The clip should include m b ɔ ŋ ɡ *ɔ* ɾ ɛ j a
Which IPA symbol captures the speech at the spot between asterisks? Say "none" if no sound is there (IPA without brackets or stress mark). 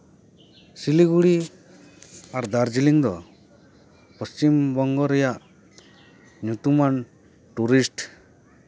ɔ